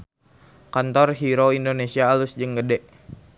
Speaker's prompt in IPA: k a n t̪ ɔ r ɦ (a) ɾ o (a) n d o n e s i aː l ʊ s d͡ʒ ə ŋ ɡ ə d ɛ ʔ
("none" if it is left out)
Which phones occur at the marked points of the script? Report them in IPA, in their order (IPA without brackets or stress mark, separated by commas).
i, i